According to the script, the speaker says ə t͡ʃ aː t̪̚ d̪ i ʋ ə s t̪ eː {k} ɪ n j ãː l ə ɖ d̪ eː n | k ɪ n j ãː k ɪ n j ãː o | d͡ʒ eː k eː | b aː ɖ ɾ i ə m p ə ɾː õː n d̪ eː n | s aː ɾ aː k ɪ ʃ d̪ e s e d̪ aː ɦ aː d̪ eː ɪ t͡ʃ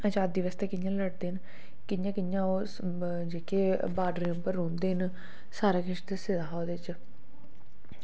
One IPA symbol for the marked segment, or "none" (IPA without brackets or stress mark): k